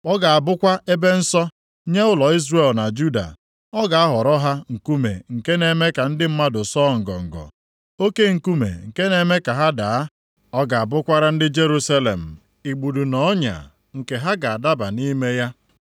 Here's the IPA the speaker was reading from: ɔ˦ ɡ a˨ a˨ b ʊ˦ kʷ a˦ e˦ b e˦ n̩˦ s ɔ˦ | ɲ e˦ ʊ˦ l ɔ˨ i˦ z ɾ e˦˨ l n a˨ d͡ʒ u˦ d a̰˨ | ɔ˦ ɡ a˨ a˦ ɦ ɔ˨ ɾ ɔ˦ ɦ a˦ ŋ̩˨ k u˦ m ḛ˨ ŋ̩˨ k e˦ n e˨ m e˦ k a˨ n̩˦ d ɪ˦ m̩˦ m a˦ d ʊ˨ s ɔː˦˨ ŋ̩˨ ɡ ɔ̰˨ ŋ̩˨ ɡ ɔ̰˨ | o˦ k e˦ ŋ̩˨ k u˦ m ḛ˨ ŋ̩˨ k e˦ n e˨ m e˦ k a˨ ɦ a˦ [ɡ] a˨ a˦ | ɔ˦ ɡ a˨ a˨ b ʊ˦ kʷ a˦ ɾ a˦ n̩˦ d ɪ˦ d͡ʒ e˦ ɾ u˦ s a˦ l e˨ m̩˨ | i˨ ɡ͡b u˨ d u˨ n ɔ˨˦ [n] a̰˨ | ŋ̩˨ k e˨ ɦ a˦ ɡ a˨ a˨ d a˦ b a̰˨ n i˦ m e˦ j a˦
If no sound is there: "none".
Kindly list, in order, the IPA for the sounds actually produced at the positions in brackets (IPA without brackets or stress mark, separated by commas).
d, ɲ